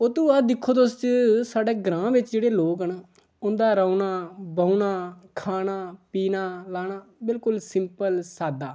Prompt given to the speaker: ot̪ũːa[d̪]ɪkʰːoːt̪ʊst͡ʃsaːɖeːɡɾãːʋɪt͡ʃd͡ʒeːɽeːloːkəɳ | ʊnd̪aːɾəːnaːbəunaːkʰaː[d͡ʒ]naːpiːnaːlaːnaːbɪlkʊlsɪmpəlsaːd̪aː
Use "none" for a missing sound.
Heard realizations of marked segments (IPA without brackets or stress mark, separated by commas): d̪, none